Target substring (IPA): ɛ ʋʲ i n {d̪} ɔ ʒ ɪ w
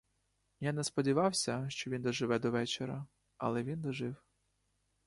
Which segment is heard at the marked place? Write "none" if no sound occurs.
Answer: d̪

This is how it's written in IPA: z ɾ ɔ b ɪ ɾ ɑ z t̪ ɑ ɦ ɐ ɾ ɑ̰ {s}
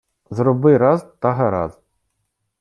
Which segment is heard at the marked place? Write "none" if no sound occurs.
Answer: z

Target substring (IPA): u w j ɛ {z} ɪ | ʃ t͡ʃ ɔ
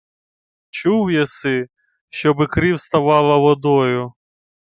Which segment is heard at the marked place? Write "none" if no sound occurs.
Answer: s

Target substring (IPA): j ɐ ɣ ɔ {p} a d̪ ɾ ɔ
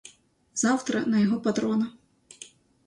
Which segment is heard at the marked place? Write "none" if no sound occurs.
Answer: p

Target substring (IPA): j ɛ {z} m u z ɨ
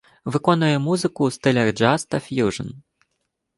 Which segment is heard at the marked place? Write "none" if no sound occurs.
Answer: none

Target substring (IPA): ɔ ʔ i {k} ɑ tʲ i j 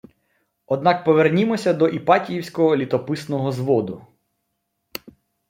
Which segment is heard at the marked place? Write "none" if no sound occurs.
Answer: p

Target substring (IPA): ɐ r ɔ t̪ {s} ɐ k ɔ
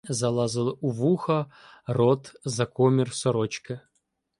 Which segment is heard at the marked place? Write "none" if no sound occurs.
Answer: z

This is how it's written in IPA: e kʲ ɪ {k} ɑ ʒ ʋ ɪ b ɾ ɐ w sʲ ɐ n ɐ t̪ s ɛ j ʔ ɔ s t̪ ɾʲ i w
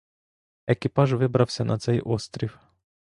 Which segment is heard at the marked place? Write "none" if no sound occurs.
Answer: p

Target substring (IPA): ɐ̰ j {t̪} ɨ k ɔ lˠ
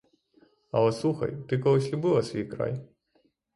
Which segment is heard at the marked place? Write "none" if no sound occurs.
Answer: t̪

